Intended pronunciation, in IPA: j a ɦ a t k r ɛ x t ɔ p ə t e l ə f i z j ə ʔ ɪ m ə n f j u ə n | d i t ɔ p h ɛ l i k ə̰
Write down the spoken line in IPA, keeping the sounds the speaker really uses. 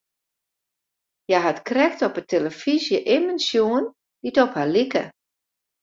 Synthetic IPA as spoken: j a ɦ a t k r ɛ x t ɔ p ə t e l ə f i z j ə ʔ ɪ m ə n s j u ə n | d i t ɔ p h a l i k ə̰